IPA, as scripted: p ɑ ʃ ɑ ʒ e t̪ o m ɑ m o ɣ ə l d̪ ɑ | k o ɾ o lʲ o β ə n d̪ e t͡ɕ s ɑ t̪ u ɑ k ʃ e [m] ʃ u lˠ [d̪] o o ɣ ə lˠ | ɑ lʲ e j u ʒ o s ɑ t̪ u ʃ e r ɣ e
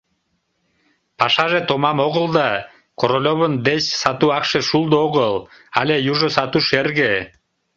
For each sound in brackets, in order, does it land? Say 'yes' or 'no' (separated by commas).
no, yes